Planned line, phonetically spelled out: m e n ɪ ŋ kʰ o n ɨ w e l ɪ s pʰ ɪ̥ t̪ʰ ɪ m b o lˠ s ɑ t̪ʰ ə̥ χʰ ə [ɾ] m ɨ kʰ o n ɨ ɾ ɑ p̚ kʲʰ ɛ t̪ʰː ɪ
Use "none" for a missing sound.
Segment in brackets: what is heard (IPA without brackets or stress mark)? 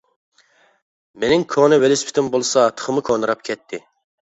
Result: none